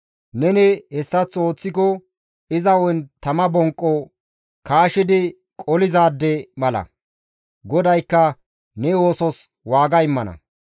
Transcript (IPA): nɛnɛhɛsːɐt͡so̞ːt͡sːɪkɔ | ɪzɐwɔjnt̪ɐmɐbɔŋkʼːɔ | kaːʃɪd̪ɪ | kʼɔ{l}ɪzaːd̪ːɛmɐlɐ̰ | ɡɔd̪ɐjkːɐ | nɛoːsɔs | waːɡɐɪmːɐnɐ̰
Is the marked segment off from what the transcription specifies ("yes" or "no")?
no